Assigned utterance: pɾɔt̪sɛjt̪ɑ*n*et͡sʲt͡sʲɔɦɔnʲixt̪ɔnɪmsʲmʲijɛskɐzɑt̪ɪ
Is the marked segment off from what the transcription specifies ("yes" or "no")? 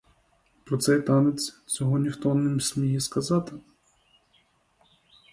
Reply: no